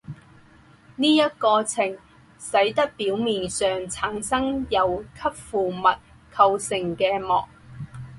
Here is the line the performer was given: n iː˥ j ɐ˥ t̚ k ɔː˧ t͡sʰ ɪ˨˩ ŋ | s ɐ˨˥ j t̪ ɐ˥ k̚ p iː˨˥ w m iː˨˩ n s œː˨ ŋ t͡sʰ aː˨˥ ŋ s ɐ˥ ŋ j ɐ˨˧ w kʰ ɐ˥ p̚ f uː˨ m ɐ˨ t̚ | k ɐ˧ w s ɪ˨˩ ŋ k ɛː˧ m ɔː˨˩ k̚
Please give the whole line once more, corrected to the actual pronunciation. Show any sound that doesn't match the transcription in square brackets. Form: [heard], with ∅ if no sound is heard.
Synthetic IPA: n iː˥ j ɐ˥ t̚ k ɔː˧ t͡sʰ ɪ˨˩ ŋ | s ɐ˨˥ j t̪ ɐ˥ k̚ p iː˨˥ w m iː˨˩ n s œː˨ ŋ t͡sʰ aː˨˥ ŋ s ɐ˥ ŋ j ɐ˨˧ w kʰ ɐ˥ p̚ f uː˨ m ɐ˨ t̚ | [kʰ] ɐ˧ w s ɪ˨˩ ŋ k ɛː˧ m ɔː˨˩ k̚